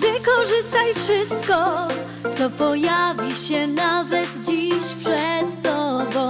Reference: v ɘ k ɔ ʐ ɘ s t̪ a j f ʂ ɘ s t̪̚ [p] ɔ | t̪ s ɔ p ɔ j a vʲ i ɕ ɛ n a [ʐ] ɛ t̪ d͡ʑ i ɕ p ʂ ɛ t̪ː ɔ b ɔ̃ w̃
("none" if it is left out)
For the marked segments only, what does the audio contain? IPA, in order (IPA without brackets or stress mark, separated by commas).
k, v